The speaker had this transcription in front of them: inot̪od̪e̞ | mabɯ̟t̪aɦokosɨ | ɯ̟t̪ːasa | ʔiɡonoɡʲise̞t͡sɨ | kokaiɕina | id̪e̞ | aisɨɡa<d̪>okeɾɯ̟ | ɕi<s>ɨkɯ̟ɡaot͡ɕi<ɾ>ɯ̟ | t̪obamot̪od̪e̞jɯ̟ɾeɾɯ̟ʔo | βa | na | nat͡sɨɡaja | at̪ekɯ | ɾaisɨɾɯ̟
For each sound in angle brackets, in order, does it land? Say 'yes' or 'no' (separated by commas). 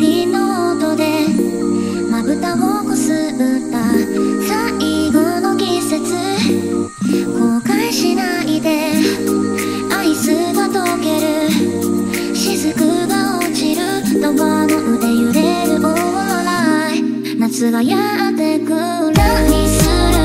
no, no, yes